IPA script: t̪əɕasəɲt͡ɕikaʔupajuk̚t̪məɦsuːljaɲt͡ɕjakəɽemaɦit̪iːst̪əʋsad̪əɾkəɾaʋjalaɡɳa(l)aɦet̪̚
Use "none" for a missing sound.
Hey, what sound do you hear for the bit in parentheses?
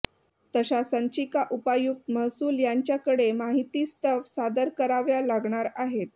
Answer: ɾ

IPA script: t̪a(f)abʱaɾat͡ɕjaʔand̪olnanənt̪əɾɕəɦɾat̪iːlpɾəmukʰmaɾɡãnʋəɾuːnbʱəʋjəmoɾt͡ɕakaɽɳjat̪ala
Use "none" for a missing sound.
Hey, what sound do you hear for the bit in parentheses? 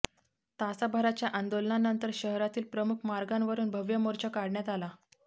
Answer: s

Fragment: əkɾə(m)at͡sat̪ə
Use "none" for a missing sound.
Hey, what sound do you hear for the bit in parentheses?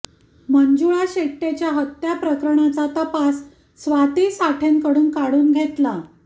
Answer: ɳ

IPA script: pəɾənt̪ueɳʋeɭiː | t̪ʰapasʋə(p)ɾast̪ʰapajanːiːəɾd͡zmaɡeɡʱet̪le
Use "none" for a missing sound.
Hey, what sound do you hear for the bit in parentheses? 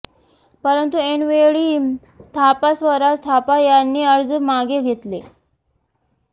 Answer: none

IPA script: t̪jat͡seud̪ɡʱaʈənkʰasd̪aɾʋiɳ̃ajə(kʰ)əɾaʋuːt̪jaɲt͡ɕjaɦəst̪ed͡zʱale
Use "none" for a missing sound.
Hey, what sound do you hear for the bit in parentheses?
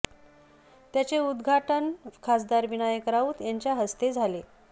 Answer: k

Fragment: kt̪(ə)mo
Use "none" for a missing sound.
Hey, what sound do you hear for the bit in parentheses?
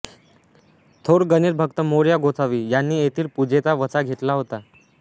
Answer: ə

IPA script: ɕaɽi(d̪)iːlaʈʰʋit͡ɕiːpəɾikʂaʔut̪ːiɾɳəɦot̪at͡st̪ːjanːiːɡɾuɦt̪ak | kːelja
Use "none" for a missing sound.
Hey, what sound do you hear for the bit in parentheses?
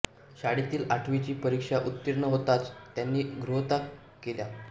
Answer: t̪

